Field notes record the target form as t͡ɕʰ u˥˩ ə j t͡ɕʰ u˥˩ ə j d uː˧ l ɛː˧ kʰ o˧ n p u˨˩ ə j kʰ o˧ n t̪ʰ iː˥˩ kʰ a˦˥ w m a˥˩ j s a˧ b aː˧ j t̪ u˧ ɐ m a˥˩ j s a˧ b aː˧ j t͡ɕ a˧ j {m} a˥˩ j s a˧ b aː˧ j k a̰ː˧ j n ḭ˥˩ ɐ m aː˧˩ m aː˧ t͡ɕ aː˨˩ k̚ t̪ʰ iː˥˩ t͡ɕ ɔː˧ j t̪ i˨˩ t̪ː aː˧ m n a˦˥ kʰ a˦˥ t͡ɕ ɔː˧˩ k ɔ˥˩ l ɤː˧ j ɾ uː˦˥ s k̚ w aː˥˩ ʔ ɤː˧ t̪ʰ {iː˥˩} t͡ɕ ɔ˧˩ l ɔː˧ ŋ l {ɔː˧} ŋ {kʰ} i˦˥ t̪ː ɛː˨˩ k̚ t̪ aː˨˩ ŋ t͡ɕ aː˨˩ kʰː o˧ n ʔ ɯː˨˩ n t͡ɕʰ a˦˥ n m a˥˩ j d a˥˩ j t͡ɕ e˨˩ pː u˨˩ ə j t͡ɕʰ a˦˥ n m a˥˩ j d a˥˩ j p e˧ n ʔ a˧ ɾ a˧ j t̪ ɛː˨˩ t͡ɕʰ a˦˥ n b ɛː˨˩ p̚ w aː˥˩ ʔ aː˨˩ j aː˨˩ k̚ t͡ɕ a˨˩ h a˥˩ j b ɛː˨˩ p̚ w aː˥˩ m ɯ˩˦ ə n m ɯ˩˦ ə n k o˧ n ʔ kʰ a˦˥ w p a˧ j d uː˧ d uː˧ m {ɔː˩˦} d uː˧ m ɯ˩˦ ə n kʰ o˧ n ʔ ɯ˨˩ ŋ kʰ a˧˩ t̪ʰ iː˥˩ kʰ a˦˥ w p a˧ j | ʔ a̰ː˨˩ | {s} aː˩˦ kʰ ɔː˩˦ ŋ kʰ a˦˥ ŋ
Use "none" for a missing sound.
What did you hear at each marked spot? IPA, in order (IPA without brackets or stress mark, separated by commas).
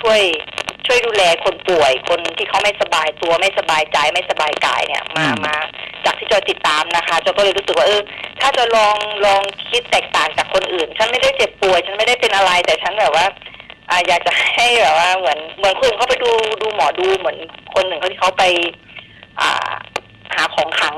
m, aː˥˩, ɔː˧, kʰ, ɔː˩˦, h